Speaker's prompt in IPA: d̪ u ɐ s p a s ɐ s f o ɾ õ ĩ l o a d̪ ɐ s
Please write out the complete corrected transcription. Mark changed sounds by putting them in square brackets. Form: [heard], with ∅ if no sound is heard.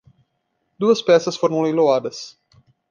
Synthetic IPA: d̪ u ɐ s p [ɛ] s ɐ s f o ɾ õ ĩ l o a d̪ ɐ s

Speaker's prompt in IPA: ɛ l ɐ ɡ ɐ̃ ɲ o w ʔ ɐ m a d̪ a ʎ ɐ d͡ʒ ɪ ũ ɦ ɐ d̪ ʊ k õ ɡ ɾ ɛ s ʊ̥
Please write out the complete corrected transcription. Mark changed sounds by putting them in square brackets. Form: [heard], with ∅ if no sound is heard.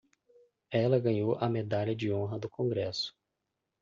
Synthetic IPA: ɛ l ɐ ɡ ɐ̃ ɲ o w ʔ ɐ m [e] d̪ a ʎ ɐ d͡ʒ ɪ [õ] ɦ ɐ d̪ ʊ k õ ɡ ɾ ɛ s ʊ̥

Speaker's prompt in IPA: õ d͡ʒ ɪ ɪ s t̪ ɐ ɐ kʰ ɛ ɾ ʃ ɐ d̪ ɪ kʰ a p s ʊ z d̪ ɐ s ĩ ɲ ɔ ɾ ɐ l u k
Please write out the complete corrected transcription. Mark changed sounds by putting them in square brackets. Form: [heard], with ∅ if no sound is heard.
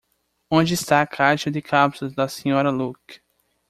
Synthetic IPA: õ d͡ʒ ɪ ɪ s t̪ [a] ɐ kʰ [a] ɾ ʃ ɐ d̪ ɪ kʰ a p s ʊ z d̪ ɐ s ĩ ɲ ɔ ɾ ɐ l u k

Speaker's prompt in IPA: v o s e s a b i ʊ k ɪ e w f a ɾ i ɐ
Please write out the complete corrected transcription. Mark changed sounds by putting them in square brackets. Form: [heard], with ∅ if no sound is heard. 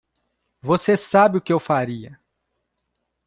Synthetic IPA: v o s e s a b [ɪ] ʊ k ɪ e w f a ɾ i ɐ

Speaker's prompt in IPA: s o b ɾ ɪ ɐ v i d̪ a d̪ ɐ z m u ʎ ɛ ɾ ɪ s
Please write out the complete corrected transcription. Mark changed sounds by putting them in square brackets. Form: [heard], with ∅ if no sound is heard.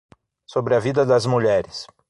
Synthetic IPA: s o b ɾ ɪ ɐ v i d̪ [ɐ] d̪ ɐ z m u ʎ ɛ ɾ ɪ s

